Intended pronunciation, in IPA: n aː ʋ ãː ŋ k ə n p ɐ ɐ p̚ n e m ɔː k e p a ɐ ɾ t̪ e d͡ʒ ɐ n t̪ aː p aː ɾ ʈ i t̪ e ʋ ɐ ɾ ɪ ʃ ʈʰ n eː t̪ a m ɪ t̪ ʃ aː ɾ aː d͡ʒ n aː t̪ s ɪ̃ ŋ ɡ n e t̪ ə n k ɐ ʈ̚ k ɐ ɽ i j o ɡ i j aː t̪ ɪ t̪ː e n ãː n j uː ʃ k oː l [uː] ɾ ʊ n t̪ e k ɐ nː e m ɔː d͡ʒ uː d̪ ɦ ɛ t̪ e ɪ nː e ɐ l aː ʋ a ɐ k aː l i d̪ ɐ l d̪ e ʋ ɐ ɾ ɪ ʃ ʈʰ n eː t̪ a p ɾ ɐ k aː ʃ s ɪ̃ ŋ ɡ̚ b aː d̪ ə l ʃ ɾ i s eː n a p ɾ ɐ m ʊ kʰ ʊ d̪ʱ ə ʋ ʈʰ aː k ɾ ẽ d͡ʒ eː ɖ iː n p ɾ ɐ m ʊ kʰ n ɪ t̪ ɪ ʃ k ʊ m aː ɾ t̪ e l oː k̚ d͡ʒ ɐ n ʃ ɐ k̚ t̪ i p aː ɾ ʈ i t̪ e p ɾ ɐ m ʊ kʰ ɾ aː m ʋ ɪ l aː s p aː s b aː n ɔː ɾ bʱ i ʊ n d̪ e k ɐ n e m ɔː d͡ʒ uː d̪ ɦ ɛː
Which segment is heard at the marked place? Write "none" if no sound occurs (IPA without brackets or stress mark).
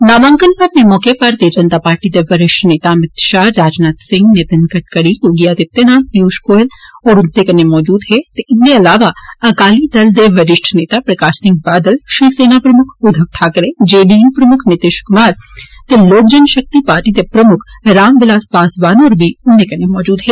ɔː